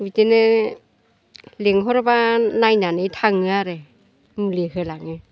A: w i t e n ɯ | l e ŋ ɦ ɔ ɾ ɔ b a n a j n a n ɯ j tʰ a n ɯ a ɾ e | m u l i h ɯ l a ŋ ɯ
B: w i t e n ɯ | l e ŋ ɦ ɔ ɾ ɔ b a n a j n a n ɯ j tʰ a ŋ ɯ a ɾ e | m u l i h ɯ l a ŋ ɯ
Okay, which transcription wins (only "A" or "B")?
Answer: B